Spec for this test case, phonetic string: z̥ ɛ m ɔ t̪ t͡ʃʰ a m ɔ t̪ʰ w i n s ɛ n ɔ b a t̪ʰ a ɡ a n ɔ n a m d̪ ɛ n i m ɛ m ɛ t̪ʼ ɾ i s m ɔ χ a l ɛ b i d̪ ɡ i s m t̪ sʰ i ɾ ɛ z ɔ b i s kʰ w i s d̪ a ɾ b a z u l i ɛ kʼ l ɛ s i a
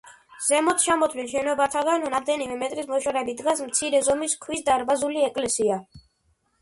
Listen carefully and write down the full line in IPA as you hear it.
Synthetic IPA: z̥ ɛ m ɔ t̪ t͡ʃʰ a m ɔ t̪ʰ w i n ʃ ɛ n ɔ b a t̪ʰ a ɡ a n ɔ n a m d̪ ɛ n i m ɛ m ɛ t̪ʼ ɾ i s m ɔ ʃ a ɾ ɛ b i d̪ ɡ a s m t̪ sʰ i ɾ ɛ z ɔ m i s kʰ w i s d̪ a ɾ b a z u l i ɛ kʼ l ɛ s i a